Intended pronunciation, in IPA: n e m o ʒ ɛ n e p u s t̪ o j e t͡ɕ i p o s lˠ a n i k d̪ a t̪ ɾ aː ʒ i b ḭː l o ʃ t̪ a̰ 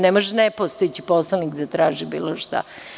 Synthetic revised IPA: n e m o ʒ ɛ n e p o s t̪ o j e t͡ɕ i p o s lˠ a n i k d̪ a t̪ ɾ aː ʒ i b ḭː l o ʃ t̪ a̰